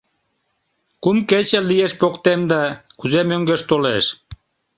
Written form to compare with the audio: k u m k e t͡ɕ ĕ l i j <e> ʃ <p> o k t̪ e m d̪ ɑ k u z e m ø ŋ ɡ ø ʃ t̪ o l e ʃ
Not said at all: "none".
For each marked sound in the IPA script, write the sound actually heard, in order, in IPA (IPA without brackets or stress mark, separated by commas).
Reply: e, p